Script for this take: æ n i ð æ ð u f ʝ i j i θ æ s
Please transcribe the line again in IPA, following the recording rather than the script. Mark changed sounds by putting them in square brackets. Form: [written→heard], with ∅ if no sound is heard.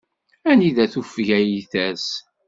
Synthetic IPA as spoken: æ n i ð æ [ð→θ] u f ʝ [i→æ] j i θ æ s